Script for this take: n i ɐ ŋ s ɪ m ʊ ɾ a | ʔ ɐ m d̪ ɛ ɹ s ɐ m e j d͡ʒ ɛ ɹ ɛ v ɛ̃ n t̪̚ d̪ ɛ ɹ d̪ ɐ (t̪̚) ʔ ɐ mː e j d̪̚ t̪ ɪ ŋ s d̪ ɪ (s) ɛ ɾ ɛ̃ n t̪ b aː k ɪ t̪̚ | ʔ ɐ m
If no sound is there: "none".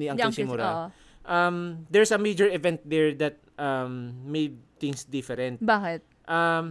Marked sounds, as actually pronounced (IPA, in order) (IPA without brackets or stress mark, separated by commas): t̪̚, f